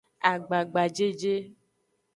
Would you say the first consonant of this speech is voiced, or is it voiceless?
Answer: voiced